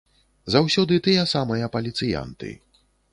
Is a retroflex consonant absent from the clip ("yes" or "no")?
yes